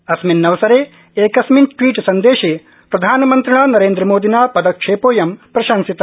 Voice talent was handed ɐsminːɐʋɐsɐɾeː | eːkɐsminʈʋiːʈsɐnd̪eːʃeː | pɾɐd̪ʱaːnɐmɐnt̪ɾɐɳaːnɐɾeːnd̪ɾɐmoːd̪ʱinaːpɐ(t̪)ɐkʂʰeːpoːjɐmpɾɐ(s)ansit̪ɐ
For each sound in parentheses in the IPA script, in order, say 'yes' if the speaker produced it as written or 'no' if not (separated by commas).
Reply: no, no